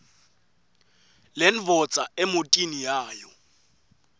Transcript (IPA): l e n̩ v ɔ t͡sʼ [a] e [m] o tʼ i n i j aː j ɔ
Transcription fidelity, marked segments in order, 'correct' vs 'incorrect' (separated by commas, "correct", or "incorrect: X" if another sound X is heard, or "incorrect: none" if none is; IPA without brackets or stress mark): correct, correct